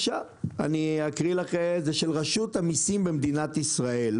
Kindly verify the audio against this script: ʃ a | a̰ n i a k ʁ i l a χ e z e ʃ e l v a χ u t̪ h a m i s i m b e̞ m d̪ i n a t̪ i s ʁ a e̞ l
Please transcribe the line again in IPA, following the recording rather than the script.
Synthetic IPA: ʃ a | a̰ n i a k ʁ i l a χ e z e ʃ e l ʁ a ʃ u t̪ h a m i s i m b e̞ m d̪ i n a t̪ i s ʁ a e̞ l